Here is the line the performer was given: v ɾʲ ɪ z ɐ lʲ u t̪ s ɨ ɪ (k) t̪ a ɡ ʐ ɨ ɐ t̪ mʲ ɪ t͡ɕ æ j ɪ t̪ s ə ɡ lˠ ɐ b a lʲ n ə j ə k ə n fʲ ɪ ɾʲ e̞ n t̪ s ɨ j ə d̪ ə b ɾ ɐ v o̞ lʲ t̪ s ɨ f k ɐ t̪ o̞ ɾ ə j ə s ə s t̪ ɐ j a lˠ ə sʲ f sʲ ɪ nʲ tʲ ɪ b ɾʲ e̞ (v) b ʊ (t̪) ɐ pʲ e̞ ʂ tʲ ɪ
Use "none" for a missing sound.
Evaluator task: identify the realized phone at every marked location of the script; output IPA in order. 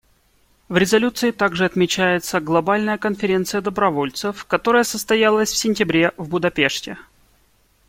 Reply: none, v, d̪

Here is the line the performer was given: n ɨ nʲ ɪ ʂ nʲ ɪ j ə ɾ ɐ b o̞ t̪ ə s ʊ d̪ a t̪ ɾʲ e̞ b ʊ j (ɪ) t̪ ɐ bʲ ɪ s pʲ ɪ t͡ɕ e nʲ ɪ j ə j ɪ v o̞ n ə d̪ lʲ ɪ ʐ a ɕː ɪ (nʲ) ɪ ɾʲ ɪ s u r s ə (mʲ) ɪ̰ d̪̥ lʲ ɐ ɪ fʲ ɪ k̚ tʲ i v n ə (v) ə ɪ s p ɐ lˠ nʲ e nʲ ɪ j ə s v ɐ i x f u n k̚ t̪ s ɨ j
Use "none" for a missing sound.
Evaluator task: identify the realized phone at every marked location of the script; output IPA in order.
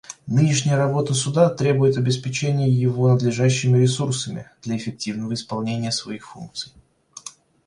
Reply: ɪ, mʲ, mʲ, v

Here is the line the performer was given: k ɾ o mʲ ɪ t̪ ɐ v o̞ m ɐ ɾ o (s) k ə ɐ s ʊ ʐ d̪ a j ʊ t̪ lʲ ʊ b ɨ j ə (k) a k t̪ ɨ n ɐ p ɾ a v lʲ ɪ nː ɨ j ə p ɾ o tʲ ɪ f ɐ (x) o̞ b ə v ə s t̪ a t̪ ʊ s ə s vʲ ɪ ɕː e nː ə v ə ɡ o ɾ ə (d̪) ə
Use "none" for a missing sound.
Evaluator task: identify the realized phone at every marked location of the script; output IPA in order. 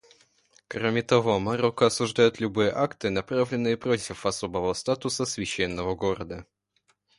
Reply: none, ʔ, s, d̪

